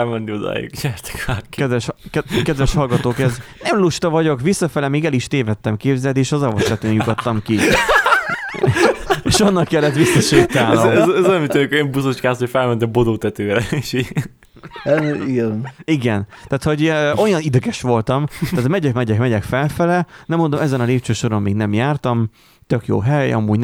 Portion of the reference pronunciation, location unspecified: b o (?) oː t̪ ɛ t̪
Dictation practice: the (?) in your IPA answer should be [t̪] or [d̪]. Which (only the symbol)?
d̪